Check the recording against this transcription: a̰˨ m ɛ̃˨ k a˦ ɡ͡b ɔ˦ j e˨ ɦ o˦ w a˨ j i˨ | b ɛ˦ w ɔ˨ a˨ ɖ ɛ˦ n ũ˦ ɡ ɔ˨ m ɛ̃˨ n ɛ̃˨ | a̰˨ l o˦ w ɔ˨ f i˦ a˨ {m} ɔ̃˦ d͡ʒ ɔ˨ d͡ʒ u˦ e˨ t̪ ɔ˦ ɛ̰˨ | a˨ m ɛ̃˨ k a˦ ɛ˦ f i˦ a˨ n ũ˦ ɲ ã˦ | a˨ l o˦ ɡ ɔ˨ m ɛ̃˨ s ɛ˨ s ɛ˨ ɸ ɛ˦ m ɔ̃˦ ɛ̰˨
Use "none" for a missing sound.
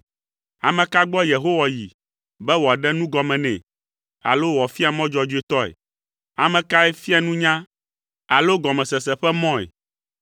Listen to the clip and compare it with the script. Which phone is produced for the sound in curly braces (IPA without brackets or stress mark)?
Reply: m